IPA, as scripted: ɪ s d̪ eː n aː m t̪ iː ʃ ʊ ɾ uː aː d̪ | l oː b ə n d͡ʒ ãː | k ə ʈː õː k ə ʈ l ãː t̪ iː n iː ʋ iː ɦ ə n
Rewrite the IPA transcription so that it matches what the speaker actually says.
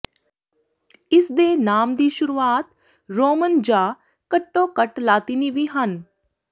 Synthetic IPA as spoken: ɪ s d̪ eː n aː m d̪ iː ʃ ʊ ɾ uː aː t̪ | ɾ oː m ə n d͡ʒ aː | k ə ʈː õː k ə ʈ l aː t̪ iː n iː ʋ iː ɦ ə n